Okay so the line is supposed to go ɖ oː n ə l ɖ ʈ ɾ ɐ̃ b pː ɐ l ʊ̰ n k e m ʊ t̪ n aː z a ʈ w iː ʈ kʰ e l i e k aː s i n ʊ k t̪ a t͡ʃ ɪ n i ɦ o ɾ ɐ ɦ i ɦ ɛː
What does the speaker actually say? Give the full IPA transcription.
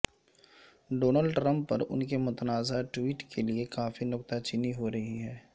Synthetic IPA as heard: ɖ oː n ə l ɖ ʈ ɾ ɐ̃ m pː ɐ ɾ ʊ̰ n k e m ʊ t̪ n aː z a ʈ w iː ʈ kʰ e l i e k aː f i n ʊ k t̪ a t͡ʃ ɪ n i ɦ o ɾ ɐ ɦ i ɦ ɛː